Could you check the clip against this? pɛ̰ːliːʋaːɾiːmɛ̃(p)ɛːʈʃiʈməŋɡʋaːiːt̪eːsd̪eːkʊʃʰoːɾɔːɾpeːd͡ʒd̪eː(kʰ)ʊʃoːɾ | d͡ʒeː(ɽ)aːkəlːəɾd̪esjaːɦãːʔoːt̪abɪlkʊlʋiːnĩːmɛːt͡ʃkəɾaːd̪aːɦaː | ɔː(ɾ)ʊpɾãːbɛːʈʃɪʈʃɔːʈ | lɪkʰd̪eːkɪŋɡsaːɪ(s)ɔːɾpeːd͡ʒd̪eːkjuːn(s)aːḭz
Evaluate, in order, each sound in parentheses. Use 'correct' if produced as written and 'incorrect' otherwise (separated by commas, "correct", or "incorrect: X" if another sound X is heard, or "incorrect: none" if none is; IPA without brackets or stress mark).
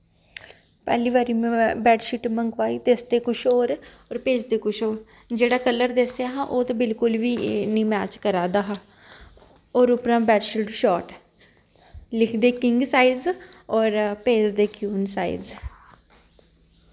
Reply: incorrect: b, incorrect: k, correct, correct, incorrect: z, correct